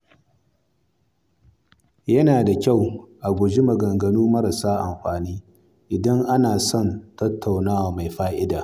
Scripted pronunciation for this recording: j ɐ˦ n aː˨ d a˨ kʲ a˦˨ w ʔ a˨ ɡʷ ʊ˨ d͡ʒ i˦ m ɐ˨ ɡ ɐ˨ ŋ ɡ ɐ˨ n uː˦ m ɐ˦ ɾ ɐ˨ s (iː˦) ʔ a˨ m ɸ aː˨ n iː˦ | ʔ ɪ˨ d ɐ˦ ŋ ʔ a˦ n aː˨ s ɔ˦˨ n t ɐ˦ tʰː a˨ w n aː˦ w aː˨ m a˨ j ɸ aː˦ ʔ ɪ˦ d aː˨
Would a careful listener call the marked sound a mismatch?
yes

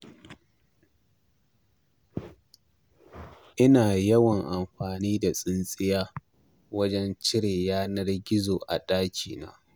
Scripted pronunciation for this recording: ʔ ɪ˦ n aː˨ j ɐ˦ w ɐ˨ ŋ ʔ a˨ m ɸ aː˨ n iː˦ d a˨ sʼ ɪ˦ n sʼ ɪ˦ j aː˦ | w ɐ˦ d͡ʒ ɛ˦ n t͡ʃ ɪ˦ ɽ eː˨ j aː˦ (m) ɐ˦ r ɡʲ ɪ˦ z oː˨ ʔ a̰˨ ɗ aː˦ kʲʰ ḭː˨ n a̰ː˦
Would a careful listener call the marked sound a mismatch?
yes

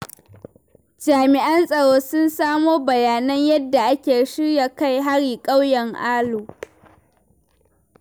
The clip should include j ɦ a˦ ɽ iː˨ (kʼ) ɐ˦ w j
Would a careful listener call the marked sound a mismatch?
no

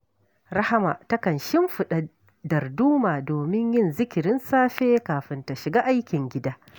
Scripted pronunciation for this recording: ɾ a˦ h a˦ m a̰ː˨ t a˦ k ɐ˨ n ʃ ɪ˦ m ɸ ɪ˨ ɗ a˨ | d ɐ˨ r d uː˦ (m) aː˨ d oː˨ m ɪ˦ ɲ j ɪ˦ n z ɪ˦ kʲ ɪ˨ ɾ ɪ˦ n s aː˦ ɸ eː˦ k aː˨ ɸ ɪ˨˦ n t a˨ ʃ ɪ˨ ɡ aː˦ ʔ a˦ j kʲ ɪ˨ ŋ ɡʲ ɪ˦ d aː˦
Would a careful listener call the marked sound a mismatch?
no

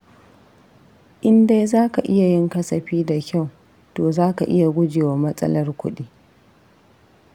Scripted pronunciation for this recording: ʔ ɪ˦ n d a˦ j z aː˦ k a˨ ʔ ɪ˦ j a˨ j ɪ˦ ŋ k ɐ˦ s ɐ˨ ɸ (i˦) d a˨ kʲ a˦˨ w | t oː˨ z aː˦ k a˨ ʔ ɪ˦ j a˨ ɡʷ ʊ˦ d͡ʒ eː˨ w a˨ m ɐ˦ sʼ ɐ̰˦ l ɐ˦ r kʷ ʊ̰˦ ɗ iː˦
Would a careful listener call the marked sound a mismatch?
yes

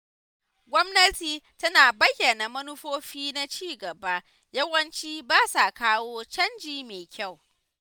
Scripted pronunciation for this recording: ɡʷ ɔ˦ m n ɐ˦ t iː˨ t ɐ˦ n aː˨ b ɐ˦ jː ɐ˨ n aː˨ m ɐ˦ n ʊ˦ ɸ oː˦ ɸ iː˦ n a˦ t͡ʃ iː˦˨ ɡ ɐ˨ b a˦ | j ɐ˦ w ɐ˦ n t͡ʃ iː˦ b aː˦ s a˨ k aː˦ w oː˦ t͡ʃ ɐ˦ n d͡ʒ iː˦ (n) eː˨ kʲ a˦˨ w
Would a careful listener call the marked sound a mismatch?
yes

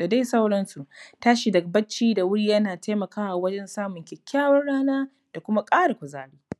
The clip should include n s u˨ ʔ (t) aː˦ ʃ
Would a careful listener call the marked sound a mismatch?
no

